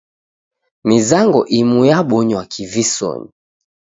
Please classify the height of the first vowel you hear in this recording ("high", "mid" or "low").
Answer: high